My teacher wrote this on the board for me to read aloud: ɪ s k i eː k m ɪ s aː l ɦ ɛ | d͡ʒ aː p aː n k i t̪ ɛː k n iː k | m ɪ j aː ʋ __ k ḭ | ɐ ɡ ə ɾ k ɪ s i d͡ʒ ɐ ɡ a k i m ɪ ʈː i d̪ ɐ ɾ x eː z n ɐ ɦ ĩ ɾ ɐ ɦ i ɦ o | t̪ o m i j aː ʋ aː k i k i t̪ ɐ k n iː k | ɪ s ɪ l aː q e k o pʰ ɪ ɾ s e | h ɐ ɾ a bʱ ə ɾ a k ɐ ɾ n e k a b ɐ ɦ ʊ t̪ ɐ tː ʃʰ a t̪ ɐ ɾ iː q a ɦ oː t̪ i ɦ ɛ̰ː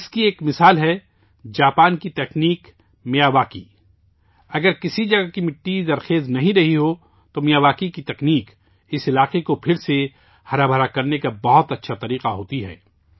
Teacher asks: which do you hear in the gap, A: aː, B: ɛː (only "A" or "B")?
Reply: A